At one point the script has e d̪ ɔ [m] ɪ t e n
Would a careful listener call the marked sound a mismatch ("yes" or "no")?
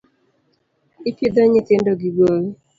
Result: yes